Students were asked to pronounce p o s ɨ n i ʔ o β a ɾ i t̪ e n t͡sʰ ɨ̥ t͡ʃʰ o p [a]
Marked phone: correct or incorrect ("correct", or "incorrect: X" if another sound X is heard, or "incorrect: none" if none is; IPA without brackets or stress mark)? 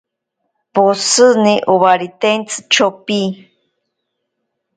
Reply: incorrect: i